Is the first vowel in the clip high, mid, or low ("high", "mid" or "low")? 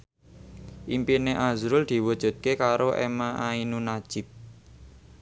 high